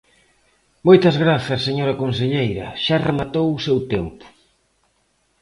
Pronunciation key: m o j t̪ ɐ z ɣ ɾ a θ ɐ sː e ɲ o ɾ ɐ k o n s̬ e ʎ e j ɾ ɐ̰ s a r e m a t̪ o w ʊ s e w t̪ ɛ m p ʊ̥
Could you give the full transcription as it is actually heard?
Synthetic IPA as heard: m o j t̪ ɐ z ɣ ɾ a θ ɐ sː e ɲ o ɾ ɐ k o n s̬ e ʎ e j ɾ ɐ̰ ʃ a r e m a t̪ o w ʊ s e w t̪ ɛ m p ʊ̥

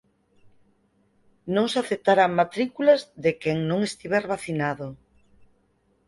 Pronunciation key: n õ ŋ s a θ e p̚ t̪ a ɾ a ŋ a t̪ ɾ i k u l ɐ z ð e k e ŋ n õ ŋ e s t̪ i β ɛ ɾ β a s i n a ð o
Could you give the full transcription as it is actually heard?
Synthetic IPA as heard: n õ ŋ s a θ e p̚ t̪ a ɾ a m a t̪ ɾ i k u l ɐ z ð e k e ŋ n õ ŋ e s t̪ i β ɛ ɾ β a θ i n a ð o

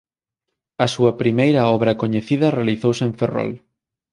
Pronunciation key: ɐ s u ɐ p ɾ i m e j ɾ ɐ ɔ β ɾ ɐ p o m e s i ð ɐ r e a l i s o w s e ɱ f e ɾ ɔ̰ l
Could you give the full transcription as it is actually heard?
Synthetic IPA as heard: ɐ s u ɐ p ɾ i m e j ɾ ɐ ɔ β ɾ ɐ k o ɲ e θ i ð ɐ r e a l i θ o w s e ɱ f e r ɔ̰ l

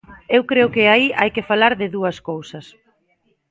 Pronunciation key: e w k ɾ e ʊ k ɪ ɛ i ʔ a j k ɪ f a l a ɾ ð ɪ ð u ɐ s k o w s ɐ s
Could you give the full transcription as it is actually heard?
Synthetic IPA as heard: e w k ɾ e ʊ k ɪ a i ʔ a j k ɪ f a l a ɾ ð ɪ ð u ɐ s k o w s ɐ s

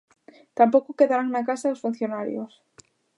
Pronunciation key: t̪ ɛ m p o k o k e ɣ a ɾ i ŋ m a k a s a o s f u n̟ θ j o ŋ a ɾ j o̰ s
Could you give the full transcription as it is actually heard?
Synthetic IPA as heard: t̪ a m p o k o k e ð a ɾ a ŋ n a k a s a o s f u n̟ θ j o n a ɾ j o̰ s

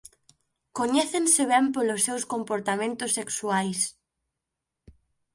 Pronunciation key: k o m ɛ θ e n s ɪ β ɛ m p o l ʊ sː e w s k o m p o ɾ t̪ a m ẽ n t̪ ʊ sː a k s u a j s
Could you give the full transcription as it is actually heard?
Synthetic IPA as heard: k o ɲ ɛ θ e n s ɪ β ɛ m p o l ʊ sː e w s k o m p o ɾ t̪ a m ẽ n t̪ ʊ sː e k s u a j s

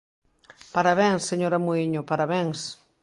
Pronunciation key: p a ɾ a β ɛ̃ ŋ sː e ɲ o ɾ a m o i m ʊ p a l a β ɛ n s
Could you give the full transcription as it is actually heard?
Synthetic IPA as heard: p a ɾ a β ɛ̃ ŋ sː e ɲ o ɾ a m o i ɲ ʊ p a ɾ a β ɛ ŋ s

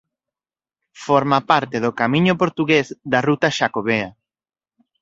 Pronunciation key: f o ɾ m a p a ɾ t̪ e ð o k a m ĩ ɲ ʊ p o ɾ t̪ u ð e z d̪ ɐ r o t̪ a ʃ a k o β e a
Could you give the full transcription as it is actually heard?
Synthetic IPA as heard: f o ɾ m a p a ɾ t̪ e ð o k a m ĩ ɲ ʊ p o ɾ t̪ u ɣ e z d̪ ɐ r u t̪ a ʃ a k o β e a

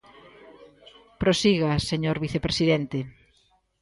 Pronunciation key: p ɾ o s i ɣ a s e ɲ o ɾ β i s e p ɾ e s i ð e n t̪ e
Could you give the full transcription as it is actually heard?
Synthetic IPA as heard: p ɾ o s i ɣ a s e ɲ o ɾ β i θ e p ɾ e s i ð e n t̪ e

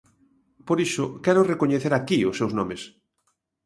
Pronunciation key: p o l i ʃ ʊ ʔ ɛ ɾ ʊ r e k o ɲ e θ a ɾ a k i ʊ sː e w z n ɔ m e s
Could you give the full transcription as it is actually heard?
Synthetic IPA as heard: p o ɾ i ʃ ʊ k ɛ ɾ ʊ r e k o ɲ e θ e ɾ a k i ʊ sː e w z n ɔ m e s

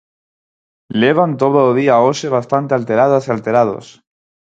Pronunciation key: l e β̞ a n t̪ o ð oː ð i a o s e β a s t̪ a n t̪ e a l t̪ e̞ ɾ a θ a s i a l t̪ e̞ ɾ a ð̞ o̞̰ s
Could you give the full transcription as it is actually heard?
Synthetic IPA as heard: l e β̞ a n t̪ o ð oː ð i a o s e β a s t̪ a n t̪ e a l t̪ e̞ ɾ a ð a s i a l t̪ e̞ ɾ a ð̞ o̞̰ s

